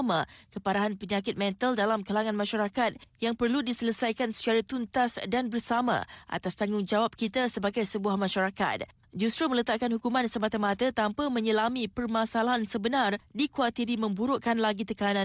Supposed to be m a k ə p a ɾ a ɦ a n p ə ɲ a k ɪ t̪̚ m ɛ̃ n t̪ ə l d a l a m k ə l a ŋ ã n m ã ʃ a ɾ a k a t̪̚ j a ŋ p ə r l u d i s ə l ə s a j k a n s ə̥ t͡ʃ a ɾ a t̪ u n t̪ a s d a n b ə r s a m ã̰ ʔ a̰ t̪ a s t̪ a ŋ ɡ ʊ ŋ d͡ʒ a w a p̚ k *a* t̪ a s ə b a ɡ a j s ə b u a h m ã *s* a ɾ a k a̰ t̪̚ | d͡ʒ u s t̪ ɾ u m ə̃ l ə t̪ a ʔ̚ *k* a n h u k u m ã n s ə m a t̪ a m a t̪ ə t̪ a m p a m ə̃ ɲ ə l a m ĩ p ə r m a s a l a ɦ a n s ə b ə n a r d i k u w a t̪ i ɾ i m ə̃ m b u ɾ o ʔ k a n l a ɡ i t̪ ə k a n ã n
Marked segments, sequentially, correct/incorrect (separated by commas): incorrect, incorrect, correct